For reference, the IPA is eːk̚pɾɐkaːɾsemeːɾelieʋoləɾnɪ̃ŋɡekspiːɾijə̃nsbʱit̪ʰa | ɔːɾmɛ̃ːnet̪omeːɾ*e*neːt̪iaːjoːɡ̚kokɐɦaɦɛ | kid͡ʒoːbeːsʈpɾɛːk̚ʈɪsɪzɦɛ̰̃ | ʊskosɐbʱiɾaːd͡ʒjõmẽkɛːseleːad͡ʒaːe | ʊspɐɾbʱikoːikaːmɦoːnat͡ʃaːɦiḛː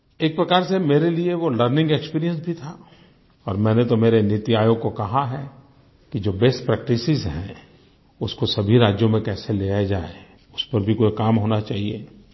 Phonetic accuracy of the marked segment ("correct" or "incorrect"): correct